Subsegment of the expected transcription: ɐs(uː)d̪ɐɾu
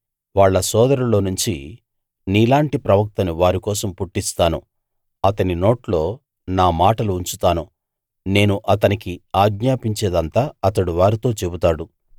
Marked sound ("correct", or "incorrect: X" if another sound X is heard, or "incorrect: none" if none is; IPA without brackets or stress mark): incorrect: ɔː